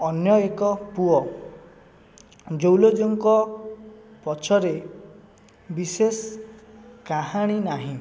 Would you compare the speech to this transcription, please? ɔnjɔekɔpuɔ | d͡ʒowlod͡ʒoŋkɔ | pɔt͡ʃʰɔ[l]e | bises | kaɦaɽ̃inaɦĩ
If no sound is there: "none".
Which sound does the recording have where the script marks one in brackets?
ɾ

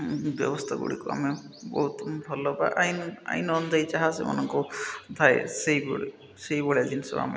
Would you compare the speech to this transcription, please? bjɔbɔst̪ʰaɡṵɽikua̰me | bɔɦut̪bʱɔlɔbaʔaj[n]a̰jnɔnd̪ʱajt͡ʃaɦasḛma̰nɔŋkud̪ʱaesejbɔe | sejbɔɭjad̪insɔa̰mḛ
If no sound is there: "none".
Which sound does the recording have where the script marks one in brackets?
n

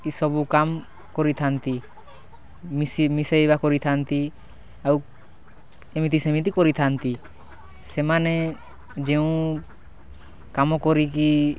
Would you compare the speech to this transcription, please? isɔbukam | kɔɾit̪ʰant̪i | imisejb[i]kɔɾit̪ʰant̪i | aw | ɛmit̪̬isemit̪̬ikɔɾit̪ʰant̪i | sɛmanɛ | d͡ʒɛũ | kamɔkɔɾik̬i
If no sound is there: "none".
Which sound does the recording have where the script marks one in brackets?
a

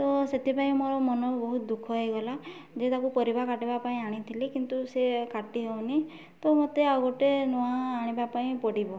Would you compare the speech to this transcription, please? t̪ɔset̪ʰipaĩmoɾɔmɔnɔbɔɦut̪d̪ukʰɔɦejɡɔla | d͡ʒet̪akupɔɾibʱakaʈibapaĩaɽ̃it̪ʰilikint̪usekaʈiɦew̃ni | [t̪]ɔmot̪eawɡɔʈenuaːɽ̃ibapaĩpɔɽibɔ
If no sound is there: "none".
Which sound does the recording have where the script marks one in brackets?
t̪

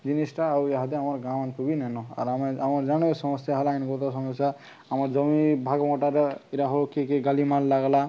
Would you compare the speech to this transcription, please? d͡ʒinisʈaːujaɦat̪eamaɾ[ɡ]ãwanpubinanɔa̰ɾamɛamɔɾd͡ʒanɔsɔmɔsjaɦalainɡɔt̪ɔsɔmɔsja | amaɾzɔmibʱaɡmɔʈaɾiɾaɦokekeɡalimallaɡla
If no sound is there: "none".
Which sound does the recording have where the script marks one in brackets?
ɡ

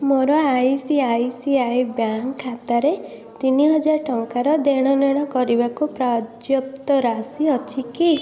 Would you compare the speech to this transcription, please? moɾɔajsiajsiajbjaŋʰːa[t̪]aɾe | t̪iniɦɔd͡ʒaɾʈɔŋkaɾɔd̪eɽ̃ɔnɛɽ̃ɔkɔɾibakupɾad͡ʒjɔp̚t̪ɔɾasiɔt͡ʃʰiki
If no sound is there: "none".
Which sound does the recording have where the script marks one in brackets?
t̪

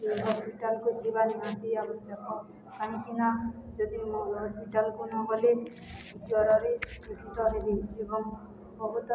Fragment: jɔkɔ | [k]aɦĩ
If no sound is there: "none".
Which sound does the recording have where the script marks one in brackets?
k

